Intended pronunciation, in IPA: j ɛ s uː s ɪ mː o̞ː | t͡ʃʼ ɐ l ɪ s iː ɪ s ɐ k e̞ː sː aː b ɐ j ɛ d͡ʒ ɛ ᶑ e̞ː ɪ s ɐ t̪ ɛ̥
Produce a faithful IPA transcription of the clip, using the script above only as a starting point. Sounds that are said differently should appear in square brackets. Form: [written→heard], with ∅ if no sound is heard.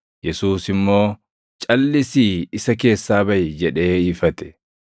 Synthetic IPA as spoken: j ɛ s uː s ɪ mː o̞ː | t͡ʃʼ ɐ [l→lː] ɪ s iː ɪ s ɐ k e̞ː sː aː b ɐ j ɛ d͡ʒ ɛ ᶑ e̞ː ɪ [s→f] ɐ t̪ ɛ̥